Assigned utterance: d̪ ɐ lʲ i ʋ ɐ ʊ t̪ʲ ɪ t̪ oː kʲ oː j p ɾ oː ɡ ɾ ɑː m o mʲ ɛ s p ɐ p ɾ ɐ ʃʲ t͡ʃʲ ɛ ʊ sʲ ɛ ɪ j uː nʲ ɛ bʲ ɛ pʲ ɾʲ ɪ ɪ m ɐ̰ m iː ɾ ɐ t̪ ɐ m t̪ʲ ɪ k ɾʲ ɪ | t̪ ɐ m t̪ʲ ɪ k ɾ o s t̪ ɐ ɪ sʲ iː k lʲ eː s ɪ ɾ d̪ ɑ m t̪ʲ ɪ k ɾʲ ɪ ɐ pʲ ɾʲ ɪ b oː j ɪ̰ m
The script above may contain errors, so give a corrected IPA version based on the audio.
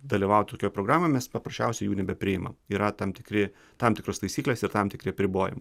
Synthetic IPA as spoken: d̪ ɐ lʲ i ʋ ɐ ʊ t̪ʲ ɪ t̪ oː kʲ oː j p ɾ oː ɡ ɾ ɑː m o mʲ ɛ s p ɐ p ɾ ɐ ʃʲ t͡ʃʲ ɛ ʊ sʲ ɛ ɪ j uː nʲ ɛ bʲ ɛ pʲ ɾʲ ɪ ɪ m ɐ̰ m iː ɾ ɐ t̪ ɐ m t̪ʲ ɪ k ɾʲ ɪ | t̪ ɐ m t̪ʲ ɪ k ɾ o s t̪ ɐ ɪ sʲ iː k lʲ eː s ɪ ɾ t̪ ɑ m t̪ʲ ɪ k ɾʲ ɪ ɐ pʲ ɾʲ ɪ b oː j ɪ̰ m